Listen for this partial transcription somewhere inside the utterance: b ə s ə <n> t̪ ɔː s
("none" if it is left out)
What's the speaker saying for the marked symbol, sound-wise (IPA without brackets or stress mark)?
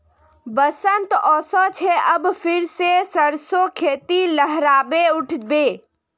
n